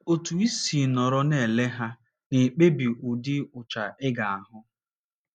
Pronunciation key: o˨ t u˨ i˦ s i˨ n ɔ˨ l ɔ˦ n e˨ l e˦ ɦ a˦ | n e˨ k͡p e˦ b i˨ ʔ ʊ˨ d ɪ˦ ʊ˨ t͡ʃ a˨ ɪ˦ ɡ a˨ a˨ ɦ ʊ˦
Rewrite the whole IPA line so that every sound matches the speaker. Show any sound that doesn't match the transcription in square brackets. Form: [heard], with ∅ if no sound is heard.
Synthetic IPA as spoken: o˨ t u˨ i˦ s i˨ n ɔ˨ [ɾ] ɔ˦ n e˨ l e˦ ɦ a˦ | n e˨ k͡p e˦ b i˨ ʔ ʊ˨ d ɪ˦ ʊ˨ t͡ʃ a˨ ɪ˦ ɡ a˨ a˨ ɦ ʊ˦